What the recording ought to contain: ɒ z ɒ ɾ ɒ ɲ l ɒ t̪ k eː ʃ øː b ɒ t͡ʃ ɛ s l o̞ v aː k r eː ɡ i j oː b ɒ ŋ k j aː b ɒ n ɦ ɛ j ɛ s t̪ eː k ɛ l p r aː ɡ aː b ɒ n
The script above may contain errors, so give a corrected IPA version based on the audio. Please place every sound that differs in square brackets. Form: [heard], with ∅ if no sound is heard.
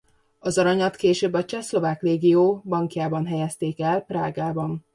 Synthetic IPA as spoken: ɒ z ɒ ɾ ɒ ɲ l ɒ t̪ k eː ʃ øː b ɒ t͡ʃ ɛ s l o̞ v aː k r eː ɡ i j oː b ɒ ŋ k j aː b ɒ n ɦ ɛ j ɛ s t̪ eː k ɛ l p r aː ɡ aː b ɒ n

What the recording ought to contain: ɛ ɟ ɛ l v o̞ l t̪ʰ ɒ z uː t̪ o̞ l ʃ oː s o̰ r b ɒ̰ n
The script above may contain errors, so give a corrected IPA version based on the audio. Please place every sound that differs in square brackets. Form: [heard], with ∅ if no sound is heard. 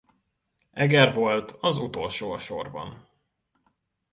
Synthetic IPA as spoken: ɛ [ɡ] ɛ [r] v o̞ l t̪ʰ ɒ z [u] t̪ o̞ l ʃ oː [ʃ] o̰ r b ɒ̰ n

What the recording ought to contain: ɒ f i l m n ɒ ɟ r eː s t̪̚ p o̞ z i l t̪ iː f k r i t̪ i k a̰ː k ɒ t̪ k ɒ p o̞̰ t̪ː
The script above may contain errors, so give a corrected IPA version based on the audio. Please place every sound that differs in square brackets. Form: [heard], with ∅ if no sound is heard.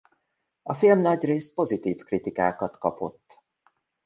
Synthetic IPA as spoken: ɒ f i l m n ɒ ɟ r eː s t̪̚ p o̞ z i [∅] t̪ iː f k r i t̪ i k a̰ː k ɒ t̪ k ɒ p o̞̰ t̪ː

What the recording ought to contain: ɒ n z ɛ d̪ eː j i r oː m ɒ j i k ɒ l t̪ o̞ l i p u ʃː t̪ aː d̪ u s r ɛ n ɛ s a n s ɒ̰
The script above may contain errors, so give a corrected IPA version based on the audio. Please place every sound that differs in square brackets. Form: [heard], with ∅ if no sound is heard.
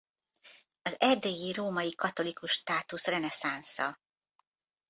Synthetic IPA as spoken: ɒ [∅] z ɛ d̪ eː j i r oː m ɒ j i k ɒ [∅] t̪ o̞ l i [k] u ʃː t̪ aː [t̪] u s r ɛ n ɛ s a n s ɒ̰

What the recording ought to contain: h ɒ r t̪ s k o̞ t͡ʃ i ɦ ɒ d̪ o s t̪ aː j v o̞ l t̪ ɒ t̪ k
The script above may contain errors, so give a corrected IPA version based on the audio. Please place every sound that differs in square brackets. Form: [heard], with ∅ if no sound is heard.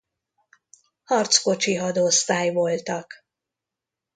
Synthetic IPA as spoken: h ɒ r t̪ s k o̞ t͡ʃ i ɦ ɒ d̪ o s t̪ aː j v o̞ l t̪ ɒ [∅] k

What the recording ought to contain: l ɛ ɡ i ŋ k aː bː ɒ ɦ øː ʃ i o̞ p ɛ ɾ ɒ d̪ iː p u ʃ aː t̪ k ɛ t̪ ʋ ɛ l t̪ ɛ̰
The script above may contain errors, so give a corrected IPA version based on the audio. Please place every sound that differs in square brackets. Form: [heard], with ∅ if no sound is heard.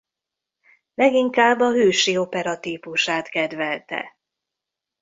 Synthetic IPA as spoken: l ɛ ɡ i ŋ k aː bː ɒ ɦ øː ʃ i o̞ p ɛ ɾ ɒ [t̪] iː p u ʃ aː t̪ k ɛ [d̪] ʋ ɛ l t̪ ɛ̰

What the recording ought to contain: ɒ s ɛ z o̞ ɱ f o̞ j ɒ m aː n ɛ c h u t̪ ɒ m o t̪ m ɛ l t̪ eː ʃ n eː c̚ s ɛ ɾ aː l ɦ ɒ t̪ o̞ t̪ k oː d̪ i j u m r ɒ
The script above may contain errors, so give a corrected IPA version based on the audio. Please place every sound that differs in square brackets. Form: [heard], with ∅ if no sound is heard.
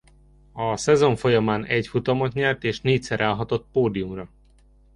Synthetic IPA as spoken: ɒ s ɛ z o̞ ɱ f o̞ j ɒ m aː n ɛ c [f] u t̪ ɒ m o t̪ [ɲ] ɛ l t̪ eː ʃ n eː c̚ s ɛ ɾ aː l ɦ ɒ t̪ o̞ t̪ [p] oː d̪ i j u m r ɒ

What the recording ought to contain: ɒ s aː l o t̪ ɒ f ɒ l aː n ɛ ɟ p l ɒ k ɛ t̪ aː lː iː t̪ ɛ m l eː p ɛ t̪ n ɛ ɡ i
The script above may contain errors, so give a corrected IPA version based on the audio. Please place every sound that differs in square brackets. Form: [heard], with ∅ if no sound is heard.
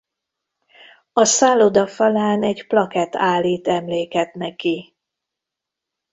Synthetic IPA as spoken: ɒ s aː l o [d̪] ɒ f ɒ l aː n ɛ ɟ p l ɒ k ɛ t̪ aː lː iː t̪ ɛ m l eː [k] ɛ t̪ n ɛ [k] i

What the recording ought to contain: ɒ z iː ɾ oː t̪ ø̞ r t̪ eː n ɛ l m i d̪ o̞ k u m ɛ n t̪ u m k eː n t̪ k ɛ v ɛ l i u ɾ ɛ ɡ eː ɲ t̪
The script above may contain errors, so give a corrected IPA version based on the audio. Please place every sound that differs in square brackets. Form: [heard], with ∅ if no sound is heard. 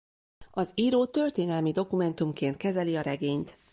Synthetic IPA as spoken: ɒ z iː ɾ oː t̪ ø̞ r t̪ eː n ɛ l m i d̪ o̞ k u m ɛ n t̪ u m k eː n t̪ k ɛ [z] ɛ l i [ɒ] ɾ ɛ ɡ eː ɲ t̪

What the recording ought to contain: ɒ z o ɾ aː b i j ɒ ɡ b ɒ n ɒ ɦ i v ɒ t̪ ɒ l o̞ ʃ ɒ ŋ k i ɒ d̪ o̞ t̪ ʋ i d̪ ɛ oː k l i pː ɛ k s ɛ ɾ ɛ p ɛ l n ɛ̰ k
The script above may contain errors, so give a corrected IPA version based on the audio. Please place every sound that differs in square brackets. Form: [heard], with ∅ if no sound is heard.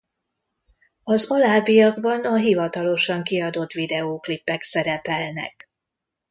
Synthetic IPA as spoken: ɒ z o [l] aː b i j ɒ ɡ b ɒ n ɒ ɦ i v ɒ t̪ ɒ l o̞ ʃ ɒ ŋ k i ɒ d̪ o̞ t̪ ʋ i d̪ ɛ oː k l i pː ɛ k s ɛ ɾ ɛ p ɛ l n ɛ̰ k

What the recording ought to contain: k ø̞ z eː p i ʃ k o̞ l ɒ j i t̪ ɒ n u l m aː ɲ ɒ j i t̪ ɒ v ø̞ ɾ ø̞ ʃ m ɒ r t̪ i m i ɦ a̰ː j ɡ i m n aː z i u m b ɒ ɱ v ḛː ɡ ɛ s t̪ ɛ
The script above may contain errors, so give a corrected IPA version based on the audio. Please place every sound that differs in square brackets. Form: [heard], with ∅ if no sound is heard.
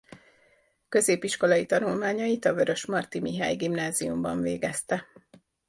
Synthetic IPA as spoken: k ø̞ z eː p i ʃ k o̞ l ɒ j i t̪ ɒ n u l m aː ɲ ɒ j i t̪ ɒ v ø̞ ɾ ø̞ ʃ m ɒ r t̪ i m i ɦ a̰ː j ɡ i m n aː z i u m b ɒ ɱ v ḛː ɡ ɛ s t̪ ɛ

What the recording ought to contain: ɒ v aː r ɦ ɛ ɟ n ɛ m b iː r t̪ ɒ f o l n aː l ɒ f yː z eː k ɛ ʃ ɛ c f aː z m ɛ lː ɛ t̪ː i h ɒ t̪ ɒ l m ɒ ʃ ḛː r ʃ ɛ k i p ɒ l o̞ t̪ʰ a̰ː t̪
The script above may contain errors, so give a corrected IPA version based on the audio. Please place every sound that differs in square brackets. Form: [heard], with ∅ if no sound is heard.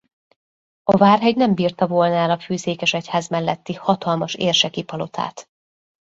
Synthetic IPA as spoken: ɒ v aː r ɦ ɛ ɟ n ɛ m b iː r t̪ ɒ [v] o l n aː l ɒ f yː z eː k ɛ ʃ ɛ c [h] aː z m ɛ lː ɛ t̪ː i h ɒ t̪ ɒ l m ɒ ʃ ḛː r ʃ ɛ k i p ɒ l o̞ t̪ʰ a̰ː t̪

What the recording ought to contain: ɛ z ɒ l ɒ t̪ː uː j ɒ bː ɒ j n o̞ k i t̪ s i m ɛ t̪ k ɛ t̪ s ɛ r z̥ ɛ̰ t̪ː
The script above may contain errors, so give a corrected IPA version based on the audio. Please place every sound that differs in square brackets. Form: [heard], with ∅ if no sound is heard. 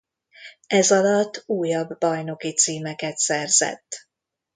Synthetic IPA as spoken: ɛ z ɒ l ɒ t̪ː uː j ɒ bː ɒ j n o̞ k i t̪ s [iː] m ɛ [∅] k ɛ t̪ s ɛ r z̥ ɛ̰ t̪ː

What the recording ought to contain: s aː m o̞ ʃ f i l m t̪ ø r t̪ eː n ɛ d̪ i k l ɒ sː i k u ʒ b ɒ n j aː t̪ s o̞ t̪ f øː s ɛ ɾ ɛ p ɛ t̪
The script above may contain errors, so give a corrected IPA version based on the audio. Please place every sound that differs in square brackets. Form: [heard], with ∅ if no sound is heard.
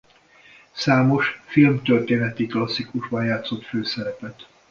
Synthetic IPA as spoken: s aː m o̞ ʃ f i l m t̪ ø r t̪ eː n ɛ [t̪] i k l ɒ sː i k u ʒ b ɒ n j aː t̪ s o̞ t̪ f øː s ɛ ɾ ɛ p ɛ t̪

